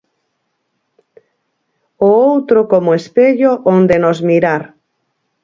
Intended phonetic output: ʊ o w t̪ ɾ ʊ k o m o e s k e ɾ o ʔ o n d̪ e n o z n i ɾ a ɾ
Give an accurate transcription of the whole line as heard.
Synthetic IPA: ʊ o w t̪ ɾ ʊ k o m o e s p e ʎ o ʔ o n d̪ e n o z m i ɾ a ɾ

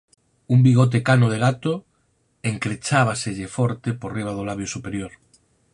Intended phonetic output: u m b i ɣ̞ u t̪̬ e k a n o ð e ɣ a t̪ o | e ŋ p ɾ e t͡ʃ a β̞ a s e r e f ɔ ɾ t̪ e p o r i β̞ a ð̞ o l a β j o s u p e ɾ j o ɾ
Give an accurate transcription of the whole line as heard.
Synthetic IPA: u m b i ɣ̞ o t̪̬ e k a n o ð e ɣ a t̪ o | e ŋ k ɾ e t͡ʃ a β̞ a s e ʎ e f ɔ ɾ t̪ e p o r i β̞ a ð̞ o l a β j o s u p e ɾ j o ɾ

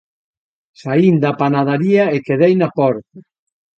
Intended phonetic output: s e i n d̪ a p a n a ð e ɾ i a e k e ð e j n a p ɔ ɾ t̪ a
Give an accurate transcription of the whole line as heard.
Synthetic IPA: s a i n d̪ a p a n a ð a ɾ i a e k e ð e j n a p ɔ ɾ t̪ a

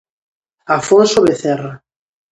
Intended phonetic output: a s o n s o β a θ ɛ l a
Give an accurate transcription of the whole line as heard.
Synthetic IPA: a f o n s o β e θ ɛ r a

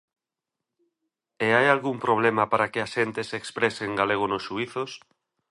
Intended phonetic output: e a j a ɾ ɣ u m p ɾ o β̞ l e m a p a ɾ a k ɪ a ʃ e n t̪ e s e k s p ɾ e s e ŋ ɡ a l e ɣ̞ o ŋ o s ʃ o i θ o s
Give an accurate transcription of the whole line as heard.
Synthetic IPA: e a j a l ɣ u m p ɾ o β̞ l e m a p a ɾ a k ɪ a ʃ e n t̪ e s e k s p ɾ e s e ŋ ɡ a l e ɣ̞ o n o s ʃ u i θ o s

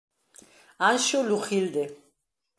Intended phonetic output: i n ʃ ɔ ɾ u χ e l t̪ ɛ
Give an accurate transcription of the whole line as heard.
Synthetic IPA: a n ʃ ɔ l u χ i l d̪ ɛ

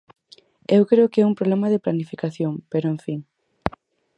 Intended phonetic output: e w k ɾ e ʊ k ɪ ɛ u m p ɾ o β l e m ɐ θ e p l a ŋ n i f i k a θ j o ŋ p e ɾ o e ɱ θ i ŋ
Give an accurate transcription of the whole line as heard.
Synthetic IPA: e w k ɾ e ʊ k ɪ ɛ u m p ɾ o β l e m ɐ ð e p l a n i f i k a θ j o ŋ p e ɾ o e ɱ f i ŋ

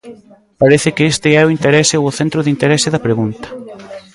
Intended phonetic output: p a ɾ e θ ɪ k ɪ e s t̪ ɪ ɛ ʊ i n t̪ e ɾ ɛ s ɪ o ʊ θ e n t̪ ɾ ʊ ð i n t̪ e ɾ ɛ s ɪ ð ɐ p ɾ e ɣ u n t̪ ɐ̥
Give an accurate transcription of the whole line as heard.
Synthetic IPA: p a ɾ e θ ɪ k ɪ e s t̪ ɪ ɛ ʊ i n t̪ e ɾ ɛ s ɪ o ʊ θ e n t̪ ɾ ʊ ð i n t̪ e ɾ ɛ s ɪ ð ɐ p ɾ e ɣ u n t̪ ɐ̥

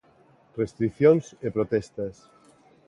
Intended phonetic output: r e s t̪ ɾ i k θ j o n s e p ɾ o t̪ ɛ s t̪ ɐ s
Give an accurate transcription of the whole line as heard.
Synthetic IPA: r e s t̪ ɾ i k θ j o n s e p ɾ o t̪ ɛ s t̪ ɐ s

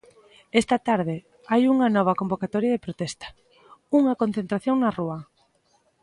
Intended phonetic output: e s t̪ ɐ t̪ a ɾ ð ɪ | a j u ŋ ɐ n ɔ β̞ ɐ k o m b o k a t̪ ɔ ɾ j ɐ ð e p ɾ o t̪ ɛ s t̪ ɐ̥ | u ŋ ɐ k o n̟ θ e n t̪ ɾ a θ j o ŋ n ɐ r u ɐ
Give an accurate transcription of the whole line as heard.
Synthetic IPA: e s t̪ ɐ t̪ a ɾ ð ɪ | a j u ŋ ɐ n ɔ β̞ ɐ k o m b o k a t̪ ɔ ɾ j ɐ ð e p ɾ o t̪ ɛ s t̪ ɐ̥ | u ŋ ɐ k o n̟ θ e n t̪ ɾ a θ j o ŋ n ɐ r u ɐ

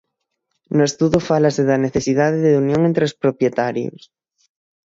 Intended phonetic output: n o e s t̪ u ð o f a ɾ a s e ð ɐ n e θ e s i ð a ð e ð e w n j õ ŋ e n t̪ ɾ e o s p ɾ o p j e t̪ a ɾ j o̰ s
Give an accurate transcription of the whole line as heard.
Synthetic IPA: n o e s t̪ u ð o f a l a s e ð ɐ n e θ e s i ð a ð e ð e u n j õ ŋ e n t̪ ɾ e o s p ɾ o p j e t̪ a ɾ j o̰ s

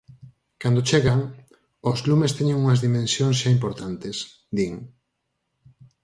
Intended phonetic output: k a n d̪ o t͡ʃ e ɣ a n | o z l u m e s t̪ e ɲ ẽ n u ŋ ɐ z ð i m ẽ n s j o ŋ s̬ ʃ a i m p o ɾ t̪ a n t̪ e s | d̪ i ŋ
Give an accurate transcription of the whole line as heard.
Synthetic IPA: k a n d̪ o t͡ʃ e ɣ a ŋ | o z l u m e s t̪ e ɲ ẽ ŋ u ŋ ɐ z ð i m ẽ n s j o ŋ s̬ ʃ a i m p o ɾ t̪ a n t̪ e s | d̪ i ŋ

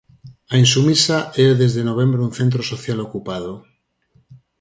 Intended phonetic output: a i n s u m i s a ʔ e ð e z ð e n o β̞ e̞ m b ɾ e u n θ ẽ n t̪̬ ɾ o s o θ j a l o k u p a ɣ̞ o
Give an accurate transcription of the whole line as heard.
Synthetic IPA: a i n s u m i s a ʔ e ð e z ð e n o β̞ e̞ m b ɾ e u n θ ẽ n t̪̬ ɾ o s o θ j a l o k u p a ð̞ o

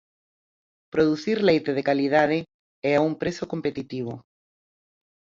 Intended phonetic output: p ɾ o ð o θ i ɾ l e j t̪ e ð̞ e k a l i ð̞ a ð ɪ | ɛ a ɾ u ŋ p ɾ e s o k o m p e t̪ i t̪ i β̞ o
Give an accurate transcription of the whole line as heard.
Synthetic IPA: p ɾ o ð u θ i ɾ l e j t̪ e ð̞ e k a l i ð̞ a ð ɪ | ɛ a u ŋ p ɾ e s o k o m p e t̪ i t̪ i β̞ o

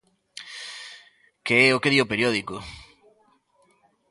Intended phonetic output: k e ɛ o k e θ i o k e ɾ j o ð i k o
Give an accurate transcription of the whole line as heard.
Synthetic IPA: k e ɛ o k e ð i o p e ɾ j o ð i k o

